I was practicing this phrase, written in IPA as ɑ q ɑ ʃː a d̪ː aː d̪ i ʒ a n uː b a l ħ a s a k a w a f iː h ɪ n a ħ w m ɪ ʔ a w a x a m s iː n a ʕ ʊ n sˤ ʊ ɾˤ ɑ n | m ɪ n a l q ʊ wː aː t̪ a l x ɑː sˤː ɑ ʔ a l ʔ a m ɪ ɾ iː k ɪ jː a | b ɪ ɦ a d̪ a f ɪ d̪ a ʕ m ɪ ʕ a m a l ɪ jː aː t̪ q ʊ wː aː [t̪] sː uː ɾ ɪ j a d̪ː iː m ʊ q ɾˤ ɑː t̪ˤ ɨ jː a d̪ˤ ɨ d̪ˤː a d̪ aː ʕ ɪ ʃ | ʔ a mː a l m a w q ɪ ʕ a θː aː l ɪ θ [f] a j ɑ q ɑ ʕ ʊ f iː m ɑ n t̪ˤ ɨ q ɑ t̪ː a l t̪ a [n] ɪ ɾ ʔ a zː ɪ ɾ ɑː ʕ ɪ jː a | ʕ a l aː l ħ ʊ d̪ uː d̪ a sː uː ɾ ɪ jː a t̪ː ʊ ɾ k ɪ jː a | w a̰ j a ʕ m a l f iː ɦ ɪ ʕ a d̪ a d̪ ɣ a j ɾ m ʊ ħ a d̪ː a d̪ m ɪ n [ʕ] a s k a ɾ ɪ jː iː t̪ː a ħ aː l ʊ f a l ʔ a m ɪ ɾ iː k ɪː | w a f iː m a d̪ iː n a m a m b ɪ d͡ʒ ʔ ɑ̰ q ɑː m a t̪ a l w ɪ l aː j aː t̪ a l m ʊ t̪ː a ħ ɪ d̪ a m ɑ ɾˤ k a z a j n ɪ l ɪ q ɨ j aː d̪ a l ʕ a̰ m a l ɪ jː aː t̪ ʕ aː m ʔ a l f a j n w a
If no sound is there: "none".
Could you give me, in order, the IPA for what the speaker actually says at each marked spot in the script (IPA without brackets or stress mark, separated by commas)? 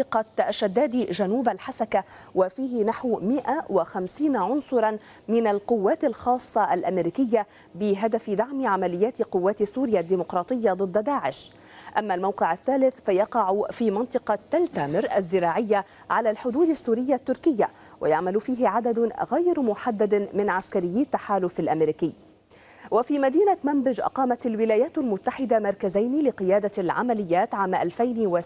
t̪, f, m, ʕ